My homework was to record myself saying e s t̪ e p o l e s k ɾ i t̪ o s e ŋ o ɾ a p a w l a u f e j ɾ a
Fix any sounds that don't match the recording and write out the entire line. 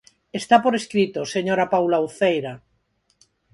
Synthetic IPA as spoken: e s t̪ a p o ɾ e s k ɾ i t̪ o s e ɲ o ɾ a p a w l a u θ e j ɾ a